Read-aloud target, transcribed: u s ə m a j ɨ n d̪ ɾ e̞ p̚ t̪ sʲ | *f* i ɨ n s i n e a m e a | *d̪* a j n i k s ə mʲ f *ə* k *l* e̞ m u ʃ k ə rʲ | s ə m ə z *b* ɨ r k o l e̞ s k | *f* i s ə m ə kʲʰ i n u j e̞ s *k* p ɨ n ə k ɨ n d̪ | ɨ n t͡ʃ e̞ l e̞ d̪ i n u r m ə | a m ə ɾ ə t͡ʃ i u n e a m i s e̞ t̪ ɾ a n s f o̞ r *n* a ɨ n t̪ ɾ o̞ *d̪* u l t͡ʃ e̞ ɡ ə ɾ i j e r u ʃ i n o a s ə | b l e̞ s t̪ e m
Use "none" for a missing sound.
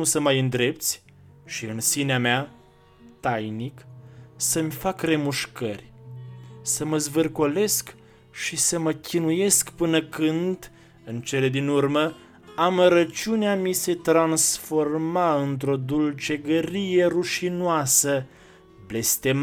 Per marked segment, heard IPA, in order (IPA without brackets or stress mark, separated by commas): ʃ, t̪, a, r, v, ʃ, k, m, d̪